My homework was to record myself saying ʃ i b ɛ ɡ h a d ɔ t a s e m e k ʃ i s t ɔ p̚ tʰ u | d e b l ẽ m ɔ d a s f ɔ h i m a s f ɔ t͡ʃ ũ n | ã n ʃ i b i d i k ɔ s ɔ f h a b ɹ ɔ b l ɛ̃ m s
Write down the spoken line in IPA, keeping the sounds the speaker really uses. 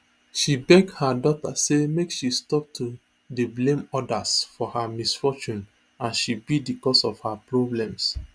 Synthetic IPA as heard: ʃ i b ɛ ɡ h a d ɔ t a s e m e k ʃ i s t ɔ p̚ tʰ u | d e b l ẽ m ɔ d a s f ɔ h a m i s f ɔ t͡ʃ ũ n | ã n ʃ i b i d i k ɔ s ɔ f h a p ɹ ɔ b l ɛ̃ m s